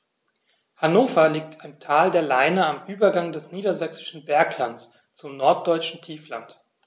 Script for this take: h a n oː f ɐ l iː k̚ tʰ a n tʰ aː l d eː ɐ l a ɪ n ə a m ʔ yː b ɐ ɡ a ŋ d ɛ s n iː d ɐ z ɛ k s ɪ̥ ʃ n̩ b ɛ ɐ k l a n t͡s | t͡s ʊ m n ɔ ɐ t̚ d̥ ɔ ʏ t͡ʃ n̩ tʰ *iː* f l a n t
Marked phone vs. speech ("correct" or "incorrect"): correct